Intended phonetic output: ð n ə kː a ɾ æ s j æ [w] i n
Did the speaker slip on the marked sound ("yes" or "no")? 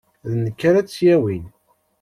no